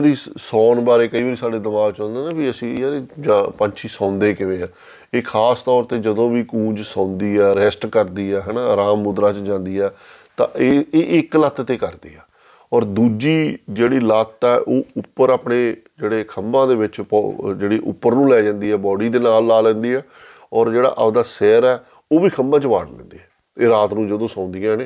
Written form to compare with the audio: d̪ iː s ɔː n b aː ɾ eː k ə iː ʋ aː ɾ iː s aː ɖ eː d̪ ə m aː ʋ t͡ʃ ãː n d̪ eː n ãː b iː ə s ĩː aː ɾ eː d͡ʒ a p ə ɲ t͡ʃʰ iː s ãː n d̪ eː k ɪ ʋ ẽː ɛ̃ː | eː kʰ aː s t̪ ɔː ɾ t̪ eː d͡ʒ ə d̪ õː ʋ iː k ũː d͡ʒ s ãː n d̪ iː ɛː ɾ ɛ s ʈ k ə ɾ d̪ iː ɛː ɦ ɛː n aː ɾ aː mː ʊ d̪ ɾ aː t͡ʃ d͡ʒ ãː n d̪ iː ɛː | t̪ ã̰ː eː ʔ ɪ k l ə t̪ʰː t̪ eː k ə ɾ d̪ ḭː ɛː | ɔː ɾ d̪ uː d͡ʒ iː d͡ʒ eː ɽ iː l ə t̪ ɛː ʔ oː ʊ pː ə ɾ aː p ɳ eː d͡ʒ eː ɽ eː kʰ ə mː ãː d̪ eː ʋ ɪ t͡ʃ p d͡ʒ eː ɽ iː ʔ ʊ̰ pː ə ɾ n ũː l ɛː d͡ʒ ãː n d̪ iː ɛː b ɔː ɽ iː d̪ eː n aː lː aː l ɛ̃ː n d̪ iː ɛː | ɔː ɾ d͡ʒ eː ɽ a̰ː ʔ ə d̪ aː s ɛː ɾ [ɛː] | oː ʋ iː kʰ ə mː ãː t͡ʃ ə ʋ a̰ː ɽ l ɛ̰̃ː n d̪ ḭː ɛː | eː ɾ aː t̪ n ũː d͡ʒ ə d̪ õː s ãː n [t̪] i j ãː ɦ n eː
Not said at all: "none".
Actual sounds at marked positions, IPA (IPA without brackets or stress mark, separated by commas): ɛː, d̪